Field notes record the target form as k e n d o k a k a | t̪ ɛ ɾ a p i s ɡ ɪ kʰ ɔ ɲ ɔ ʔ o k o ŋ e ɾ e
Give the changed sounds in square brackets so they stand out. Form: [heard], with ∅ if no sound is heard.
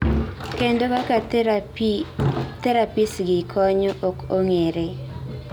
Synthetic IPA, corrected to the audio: k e n d o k a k a | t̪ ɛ ɾ a p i s ɡ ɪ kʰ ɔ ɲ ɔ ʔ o k o ŋ e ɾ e